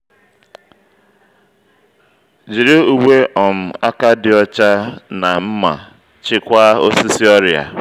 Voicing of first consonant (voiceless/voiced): voiced